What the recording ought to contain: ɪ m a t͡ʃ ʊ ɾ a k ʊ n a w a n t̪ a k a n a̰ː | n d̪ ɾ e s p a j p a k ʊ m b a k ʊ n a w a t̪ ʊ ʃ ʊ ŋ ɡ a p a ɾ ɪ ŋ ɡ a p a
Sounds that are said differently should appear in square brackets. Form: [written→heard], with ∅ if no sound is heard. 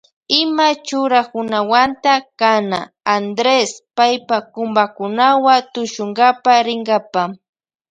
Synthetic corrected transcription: ɪ m a t͡ʃ ʊ ɾ a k ʊ n a w a n t̪ a k a n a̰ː | n d̪ ɾ e s p a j p a k ʊ m b a k ʊ n a w a t̪ ʊ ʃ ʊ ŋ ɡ a p a ɾ ɪ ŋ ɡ a p a

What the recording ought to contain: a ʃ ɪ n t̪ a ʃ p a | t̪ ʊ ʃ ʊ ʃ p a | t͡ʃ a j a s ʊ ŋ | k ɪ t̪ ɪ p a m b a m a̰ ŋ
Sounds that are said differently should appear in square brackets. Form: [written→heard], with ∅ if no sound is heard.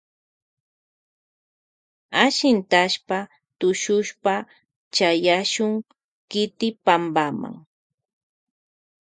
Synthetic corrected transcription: a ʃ ɪ n t̪ a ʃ p a | t̪ ʊ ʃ ʊ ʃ p a | t͡ʃ a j a [s→ʃ] ʊ ŋ | k ɪ t̪ ɪ p a m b a m a̰ ŋ

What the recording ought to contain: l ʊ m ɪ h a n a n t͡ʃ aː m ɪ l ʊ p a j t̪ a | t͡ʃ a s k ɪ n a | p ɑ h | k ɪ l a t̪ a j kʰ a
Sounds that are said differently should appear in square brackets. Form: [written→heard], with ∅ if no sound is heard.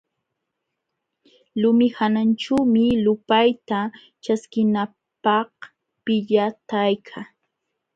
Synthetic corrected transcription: l ʊ m ɪ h a n a n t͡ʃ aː m ɪ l ʊ p a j t̪ a | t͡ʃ a s k ɪ n a | p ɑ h | [k→p] ɪ [l→ʎ] a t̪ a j kʰ a

